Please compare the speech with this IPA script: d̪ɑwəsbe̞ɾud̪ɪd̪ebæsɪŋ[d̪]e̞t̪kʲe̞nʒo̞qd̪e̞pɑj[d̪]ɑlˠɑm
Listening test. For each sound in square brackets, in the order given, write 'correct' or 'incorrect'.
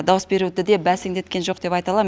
correct, incorrect: t̪

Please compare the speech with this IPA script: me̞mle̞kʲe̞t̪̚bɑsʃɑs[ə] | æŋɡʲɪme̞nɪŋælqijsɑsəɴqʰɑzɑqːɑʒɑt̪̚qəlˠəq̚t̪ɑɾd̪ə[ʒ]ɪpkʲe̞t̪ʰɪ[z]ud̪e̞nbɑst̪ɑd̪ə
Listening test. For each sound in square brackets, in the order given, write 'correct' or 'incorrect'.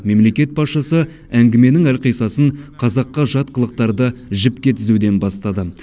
correct, correct, correct

